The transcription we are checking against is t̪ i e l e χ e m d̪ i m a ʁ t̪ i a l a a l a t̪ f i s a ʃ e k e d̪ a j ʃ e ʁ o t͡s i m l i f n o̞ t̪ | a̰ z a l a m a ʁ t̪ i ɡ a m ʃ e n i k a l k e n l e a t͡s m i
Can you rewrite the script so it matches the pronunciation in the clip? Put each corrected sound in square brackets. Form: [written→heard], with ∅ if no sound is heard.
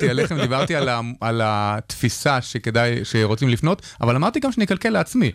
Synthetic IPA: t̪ i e l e χ e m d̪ i [m→b] a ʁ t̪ i a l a a l a t̪ f i s a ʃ e k e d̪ a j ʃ e ʁ o t͡s i m l i f n o̞ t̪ | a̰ [z→v] a l a m a ʁ t̪ i ɡ a m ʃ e n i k a l k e [n→∅] l e a t͡s m i